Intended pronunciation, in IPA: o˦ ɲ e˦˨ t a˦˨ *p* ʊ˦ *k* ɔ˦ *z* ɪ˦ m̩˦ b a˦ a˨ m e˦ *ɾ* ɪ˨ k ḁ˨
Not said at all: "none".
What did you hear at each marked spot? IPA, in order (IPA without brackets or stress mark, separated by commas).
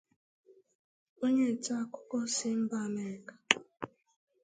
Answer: k, k, s, ɾ